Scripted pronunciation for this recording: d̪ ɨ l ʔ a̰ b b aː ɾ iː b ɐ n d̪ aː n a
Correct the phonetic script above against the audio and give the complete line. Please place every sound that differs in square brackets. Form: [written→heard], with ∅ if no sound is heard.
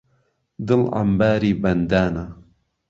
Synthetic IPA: d̪ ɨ l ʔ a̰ [b→m] b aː ɾ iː b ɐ n d̪ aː n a